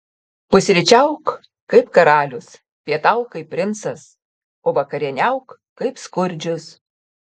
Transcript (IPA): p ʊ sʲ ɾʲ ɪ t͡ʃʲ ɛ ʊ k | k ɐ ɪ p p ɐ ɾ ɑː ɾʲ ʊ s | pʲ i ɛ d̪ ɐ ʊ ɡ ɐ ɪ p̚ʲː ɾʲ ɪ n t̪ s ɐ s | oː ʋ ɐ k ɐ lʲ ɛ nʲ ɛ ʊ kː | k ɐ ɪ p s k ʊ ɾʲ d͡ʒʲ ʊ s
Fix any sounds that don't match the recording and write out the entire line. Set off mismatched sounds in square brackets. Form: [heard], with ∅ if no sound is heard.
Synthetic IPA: p ʊ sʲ ɾʲ ɪ t͡ʃʲ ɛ ʊ k | k ɐ ɪ p [k] ɐ ɾ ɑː [lʲ] ʊ s | pʲ i ɛ [t̪] ɐ ʊ [k] ɐ ɪ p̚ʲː ɾʲ ɪ n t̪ s ɐ s | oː ʋ ɐ k ɐ [ɾʲ] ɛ nʲ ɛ ʊ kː | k ɐ ɪ p s k ʊ ɾʲ d͡ʒʲ ʊ s

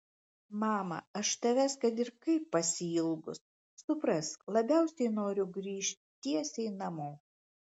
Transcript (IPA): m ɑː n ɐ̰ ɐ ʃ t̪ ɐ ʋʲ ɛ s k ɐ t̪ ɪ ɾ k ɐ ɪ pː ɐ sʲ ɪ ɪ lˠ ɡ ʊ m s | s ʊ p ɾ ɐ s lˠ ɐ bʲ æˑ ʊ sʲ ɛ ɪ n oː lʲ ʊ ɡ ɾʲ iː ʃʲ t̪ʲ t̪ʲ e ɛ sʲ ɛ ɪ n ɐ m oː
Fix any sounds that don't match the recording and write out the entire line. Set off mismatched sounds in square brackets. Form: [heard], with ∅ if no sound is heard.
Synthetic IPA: m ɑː [m] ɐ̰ ɐ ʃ t̪ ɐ ʋʲ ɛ s k ɐ t̪ ɪ ɾ k ɐ ɪ pː ɐ sʲ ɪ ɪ lˠ ɡ ʊ [∅] s | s ʊ p ɾ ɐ s lˠ ɐ bʲ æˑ ʊ sʲ ɛ ɪ n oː [ɾʲ] ʊ ɡ ɾʲ iː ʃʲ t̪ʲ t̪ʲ [i] ɛ sʲ ɛ ɪ n ɐ m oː

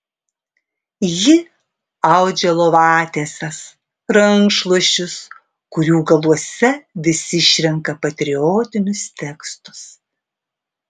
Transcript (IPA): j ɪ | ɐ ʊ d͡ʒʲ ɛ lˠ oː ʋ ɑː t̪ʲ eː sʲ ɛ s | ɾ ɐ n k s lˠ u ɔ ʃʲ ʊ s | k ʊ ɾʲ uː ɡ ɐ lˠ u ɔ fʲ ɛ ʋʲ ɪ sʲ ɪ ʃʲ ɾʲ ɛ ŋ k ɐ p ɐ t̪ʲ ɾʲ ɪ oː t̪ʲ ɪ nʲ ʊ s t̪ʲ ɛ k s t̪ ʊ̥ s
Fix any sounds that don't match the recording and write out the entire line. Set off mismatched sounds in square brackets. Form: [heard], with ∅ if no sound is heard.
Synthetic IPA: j ɪ | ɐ ʊ d͡ʒʲ ɛ lˠ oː ʋ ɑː t̪ʲ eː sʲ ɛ s | ɾ ɐ [ŋ] k [ʃ] lˠ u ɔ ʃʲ ʊ s | k ʊ ɾʲ uː ɡ ɐ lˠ u ɔ [sʲ] ɛ ʋʲ ɪ sʲ ɪ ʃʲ ɾʲ ɛ ŋ k ɐ p ɐ t̪ʲ ɾʲ ɪ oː t̪ʲ ɪ nʲ ʊ s t̪ʲ ɛ k s t̪ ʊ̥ s

